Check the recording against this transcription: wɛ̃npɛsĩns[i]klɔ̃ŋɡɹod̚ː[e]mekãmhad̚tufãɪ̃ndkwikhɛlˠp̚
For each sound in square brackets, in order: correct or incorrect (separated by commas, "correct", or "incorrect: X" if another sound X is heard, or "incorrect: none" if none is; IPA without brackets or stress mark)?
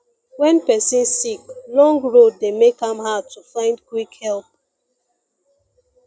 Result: correct, correct